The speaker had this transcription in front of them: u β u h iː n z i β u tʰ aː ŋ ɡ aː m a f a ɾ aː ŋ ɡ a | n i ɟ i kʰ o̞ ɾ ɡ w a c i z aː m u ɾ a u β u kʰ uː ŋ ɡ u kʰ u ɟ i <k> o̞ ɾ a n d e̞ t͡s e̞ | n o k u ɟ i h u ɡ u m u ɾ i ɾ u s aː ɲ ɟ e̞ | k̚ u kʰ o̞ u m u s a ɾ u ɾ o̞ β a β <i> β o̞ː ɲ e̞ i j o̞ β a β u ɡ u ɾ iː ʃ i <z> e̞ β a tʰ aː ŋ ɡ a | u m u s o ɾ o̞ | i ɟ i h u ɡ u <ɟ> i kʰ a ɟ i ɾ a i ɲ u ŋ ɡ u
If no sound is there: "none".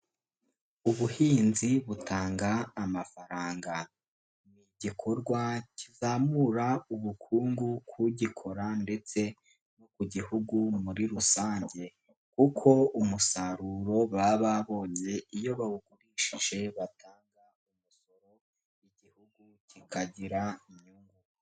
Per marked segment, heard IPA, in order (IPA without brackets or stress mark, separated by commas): kʰ, a, ʒ, c